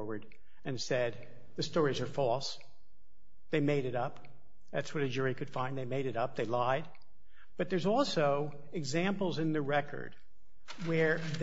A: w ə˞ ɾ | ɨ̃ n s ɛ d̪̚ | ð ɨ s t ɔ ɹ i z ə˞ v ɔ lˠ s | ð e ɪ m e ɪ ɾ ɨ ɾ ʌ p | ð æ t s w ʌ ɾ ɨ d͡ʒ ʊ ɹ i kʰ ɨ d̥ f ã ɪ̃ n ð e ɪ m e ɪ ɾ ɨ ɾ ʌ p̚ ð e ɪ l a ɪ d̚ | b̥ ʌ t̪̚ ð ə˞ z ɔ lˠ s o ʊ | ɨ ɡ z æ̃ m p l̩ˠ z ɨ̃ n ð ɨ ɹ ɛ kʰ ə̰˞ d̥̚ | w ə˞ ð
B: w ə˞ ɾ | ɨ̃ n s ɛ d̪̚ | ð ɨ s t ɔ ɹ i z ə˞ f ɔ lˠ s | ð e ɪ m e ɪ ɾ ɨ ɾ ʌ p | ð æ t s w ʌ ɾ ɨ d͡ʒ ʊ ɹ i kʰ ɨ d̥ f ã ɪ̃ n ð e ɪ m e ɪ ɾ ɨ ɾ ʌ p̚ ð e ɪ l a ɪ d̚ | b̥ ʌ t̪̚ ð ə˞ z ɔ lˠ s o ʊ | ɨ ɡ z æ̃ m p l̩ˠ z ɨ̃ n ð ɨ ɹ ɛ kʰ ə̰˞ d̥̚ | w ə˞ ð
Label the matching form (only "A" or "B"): B